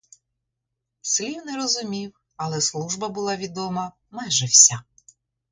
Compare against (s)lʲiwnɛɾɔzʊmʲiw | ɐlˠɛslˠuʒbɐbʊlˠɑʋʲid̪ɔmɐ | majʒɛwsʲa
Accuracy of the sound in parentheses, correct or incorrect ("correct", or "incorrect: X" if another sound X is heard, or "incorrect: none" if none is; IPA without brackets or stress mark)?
correct